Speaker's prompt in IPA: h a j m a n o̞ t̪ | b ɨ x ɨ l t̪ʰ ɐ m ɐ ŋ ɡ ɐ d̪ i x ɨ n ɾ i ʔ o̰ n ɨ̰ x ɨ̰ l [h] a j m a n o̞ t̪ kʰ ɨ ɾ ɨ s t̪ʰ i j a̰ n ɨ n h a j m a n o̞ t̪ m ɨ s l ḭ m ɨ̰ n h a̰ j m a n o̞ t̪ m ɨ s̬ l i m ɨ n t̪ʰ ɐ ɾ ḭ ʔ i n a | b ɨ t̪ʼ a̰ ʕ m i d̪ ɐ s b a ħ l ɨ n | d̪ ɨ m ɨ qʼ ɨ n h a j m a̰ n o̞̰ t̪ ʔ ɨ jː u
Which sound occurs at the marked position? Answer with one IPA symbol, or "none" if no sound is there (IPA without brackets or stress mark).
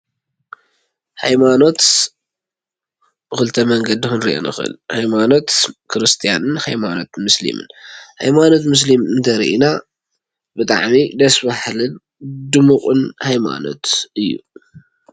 h